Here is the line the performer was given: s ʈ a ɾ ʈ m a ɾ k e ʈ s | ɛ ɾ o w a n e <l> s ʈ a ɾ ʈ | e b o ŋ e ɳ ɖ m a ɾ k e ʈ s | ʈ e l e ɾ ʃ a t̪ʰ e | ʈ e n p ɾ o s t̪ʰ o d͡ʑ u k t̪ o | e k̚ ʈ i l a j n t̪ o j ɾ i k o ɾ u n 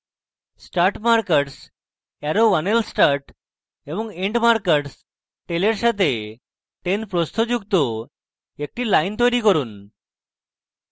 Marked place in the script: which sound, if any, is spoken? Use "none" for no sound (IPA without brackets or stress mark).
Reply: l